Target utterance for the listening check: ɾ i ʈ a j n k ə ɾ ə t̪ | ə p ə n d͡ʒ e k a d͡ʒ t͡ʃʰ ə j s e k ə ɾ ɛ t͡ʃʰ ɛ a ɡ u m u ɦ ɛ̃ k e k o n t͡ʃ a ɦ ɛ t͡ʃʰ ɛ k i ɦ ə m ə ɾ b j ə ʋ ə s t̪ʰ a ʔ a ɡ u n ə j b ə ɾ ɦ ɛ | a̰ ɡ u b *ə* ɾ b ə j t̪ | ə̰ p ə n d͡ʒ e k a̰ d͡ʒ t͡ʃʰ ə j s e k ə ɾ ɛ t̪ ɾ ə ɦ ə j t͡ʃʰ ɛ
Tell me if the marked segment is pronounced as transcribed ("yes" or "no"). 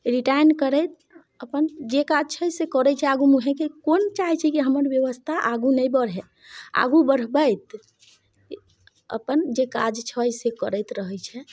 yes